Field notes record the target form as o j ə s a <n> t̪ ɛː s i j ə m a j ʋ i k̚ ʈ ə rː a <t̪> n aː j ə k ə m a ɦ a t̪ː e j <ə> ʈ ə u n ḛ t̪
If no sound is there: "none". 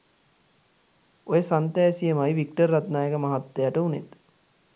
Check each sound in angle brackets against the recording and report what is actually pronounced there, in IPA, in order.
n, t̪, a

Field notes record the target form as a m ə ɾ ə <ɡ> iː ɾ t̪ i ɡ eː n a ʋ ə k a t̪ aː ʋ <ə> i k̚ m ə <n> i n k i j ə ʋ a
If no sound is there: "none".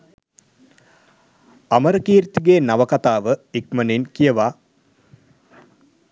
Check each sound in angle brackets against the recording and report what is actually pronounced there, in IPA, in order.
k, ə, n

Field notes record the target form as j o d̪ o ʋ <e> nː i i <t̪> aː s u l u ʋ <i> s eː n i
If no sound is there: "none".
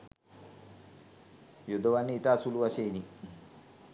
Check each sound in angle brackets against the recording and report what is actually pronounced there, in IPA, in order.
a, t̪, a

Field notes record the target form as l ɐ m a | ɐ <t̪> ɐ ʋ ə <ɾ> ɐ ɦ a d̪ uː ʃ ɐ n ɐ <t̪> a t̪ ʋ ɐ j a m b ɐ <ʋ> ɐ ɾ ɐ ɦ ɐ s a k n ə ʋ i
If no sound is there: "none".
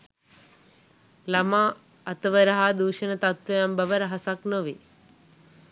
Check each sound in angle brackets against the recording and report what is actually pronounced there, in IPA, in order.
t̪, ɾ, t̪, ʋ

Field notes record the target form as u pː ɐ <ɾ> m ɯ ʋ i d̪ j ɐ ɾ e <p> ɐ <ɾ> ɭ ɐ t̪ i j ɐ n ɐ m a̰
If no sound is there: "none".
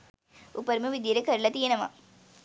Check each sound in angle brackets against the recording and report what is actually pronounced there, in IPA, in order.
ɾ, k, ɾ

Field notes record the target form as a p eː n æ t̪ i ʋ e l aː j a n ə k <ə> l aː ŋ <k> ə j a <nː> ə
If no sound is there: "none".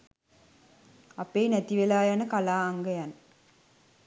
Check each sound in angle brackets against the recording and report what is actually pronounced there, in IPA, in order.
a, ɡ, n

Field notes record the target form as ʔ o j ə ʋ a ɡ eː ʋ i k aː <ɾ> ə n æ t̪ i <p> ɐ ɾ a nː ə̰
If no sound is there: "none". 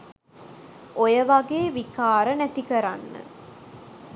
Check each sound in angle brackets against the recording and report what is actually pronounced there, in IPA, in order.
ɾ, k

